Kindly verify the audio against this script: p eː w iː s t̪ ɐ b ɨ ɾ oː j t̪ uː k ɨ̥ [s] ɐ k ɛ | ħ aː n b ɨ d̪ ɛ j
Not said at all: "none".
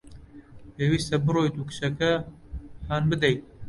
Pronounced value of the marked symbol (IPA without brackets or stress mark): ʃ